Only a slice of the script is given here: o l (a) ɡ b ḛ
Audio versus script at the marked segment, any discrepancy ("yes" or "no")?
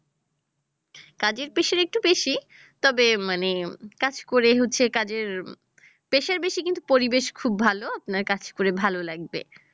no